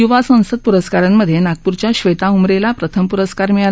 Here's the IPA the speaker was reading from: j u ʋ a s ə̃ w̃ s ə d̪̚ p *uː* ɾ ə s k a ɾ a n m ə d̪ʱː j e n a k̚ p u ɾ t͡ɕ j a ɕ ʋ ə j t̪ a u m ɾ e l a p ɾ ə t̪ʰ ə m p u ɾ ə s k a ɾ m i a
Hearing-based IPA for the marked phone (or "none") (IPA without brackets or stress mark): u